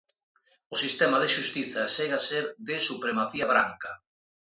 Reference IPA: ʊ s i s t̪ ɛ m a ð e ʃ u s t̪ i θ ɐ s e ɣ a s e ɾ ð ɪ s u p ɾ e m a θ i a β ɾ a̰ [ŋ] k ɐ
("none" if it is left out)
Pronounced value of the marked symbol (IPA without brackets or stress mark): ŋ